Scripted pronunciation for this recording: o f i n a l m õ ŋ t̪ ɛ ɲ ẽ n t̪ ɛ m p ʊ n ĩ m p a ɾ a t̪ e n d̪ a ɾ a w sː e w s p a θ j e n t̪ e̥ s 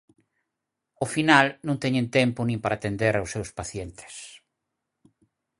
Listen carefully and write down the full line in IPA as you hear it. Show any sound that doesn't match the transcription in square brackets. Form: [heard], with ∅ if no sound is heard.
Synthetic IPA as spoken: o f i n a l [n] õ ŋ t̪ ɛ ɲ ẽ n t̪ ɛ m p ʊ n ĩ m p a ɾ a t̪ e n d̪ [e] ɾ a w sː e w s p a θ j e n t̪ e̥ s